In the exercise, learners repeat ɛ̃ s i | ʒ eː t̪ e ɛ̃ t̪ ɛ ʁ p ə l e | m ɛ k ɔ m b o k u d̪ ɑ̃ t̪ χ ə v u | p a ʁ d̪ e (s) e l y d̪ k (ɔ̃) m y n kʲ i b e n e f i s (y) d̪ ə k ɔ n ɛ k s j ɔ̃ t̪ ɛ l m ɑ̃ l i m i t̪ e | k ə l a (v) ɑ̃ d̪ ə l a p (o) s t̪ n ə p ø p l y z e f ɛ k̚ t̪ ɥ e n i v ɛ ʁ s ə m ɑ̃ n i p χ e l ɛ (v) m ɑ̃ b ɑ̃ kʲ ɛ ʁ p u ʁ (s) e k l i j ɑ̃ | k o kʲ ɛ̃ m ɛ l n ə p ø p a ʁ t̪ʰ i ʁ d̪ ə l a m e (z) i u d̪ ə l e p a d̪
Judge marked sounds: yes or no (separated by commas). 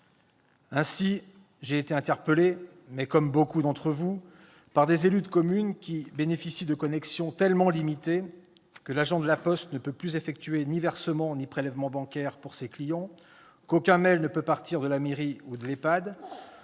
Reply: no, no, no, no, no, yes, yes, no